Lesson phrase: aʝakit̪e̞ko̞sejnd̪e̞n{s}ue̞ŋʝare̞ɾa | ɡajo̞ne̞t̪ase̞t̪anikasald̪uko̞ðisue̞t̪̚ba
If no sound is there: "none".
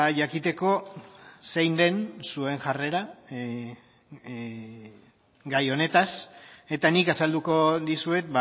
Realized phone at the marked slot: s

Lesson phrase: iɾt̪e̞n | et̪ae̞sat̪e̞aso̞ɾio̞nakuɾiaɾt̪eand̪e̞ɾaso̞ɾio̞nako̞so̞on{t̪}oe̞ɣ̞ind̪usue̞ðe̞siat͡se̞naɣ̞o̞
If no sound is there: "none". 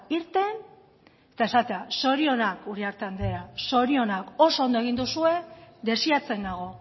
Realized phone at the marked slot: d̪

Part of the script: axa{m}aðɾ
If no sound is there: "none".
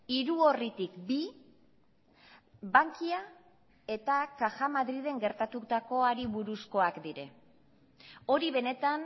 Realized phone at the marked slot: m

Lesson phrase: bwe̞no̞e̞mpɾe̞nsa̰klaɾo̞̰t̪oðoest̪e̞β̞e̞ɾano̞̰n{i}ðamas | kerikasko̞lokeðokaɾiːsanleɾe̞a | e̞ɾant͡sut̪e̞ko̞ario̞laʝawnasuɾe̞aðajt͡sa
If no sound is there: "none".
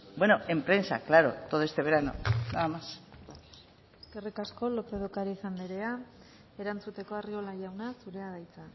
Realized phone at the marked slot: a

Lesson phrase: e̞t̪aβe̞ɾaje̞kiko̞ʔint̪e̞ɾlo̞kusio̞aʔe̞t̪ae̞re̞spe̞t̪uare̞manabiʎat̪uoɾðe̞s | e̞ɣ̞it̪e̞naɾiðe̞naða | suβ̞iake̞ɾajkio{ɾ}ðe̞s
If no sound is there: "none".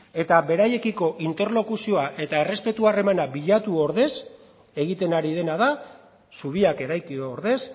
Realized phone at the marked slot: ɾ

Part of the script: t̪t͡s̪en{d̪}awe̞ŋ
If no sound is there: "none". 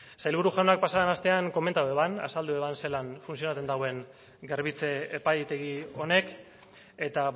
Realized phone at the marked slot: d̪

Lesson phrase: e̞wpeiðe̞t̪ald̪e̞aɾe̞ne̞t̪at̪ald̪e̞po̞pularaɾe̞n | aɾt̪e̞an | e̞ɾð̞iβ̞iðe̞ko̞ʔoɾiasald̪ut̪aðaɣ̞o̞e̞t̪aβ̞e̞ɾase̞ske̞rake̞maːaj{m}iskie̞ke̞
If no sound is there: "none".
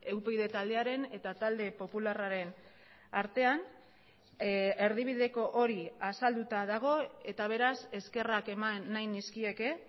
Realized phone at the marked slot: n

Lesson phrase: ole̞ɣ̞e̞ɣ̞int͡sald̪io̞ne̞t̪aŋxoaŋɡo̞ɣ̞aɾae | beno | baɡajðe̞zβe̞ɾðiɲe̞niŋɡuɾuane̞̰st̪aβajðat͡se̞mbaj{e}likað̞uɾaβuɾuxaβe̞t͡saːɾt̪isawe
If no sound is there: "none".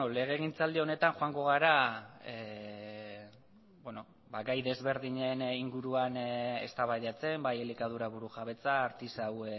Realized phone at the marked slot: e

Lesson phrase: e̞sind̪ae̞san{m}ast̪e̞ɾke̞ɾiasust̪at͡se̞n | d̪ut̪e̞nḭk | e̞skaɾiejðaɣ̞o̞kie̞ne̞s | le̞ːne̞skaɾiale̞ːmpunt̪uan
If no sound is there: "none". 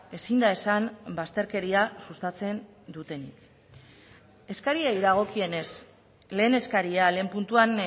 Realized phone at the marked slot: b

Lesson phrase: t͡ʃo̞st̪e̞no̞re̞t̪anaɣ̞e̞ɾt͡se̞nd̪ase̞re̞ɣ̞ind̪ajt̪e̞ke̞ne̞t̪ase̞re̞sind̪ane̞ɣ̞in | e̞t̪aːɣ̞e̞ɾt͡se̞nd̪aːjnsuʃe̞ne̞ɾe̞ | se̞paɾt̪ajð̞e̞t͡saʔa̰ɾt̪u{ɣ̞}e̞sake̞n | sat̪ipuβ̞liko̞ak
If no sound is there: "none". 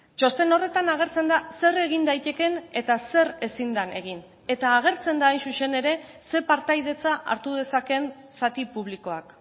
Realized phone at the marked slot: ð̞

